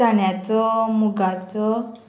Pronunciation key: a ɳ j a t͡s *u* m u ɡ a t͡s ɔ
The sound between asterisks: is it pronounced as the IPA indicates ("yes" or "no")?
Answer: no